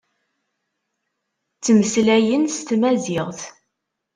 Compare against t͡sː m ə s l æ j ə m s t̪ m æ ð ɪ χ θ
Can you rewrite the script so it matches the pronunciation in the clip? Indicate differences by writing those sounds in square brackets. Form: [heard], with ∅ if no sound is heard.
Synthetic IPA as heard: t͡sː m ə s l æ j ə [n] s t̪ m æ [z] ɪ [ʁ] θ

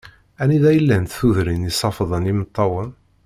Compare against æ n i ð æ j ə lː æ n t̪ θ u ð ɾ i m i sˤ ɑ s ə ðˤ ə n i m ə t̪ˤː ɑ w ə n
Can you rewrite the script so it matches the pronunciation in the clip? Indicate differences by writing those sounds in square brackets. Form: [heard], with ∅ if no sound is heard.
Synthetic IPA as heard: æ n i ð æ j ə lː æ n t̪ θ u ð ɾ i [n] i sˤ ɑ [f] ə ðˤ ə n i m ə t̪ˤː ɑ w ə n

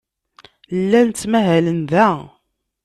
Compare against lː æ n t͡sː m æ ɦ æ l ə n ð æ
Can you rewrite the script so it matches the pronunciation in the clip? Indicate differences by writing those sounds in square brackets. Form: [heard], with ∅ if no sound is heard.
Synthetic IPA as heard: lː æ n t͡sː m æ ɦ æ l ə n ð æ

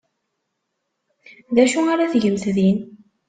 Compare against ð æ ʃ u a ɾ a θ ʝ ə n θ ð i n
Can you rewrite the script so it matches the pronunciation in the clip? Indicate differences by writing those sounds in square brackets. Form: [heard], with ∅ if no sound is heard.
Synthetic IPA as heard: ð æ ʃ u a ɾ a θ ʝ ə [m] θ ð i n

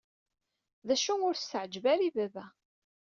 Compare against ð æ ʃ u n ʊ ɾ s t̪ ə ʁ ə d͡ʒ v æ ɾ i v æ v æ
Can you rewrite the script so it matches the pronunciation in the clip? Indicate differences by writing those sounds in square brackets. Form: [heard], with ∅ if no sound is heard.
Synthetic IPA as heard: ð æ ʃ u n ʊ ɾ s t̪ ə [ʕ] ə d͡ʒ v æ ɾ i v æ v æ

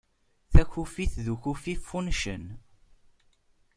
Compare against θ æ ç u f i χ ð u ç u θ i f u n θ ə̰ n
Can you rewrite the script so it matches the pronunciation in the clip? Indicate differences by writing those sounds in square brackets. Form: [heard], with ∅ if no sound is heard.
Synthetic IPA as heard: θ æ ç u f i [θ] ð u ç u [f] i f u n [ʃ] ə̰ n

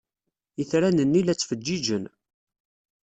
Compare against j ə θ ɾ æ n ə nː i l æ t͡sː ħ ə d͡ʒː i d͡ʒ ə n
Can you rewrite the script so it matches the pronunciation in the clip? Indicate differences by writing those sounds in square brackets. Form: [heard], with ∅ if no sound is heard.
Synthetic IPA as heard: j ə θ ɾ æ n ə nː i l æ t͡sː [f] ə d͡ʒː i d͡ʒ ə n

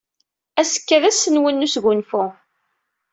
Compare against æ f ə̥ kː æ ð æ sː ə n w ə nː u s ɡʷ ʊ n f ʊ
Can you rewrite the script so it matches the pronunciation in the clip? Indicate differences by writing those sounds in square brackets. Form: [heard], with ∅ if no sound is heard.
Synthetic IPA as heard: æ [s] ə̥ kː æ ð æ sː ə n w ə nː u s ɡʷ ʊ n f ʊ

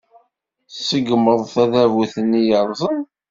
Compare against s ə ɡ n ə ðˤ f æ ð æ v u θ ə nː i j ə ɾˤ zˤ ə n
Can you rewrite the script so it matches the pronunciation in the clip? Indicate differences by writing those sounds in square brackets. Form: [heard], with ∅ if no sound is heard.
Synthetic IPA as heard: s ə ɡ [m] ə ðˤ [θ] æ ð æ v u θ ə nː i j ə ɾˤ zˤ ə n

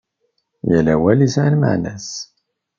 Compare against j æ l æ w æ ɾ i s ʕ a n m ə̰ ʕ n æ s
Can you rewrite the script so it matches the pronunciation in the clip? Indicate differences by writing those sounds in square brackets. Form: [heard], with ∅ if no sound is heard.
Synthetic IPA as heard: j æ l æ w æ [l] i s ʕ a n m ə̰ ʕ n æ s

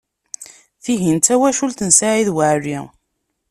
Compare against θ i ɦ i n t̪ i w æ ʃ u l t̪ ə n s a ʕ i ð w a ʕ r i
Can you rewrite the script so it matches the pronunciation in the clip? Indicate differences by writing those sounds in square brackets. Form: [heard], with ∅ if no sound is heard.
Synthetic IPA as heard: θ i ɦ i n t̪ [æ] w æ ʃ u l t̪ ə n s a ʕ i ð w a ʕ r i

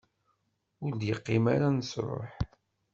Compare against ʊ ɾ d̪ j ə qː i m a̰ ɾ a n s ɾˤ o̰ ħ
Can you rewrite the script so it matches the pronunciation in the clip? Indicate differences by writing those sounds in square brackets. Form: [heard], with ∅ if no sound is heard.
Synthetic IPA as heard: ʊ ɾ d̪ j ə qː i m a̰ ɾ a n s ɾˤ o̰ ħ

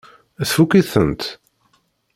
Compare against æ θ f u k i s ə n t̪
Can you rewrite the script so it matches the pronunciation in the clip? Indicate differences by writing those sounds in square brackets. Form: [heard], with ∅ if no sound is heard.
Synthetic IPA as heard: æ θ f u k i [θ] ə n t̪

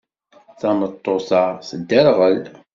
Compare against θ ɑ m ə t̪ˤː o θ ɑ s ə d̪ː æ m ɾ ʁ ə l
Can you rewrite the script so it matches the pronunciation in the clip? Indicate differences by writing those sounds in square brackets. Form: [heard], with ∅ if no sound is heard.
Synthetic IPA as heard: θ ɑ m ə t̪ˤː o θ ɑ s ə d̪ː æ [∅] ɾ ʁ ə l

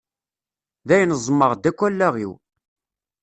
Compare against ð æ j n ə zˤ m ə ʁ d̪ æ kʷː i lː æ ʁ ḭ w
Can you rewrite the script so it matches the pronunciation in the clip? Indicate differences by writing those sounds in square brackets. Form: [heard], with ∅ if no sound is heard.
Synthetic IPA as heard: ð æ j n ə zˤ m ə ʁ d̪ æ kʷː [æ] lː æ ʁ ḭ w

